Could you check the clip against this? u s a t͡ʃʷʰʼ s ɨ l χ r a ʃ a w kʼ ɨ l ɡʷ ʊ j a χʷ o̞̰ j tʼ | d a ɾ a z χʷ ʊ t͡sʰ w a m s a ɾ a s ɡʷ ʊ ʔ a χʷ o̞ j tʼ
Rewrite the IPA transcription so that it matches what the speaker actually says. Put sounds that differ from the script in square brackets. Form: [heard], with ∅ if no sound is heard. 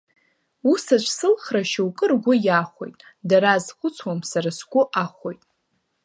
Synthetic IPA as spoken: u s a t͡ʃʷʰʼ s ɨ l χ r a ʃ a w kʼ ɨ [r] ɡʷ ʊ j a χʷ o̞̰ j tʼ | d a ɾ a z χʷ ʊ t͡sʰ w a m s a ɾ a s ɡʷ ʊ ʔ a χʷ o̞ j tʼ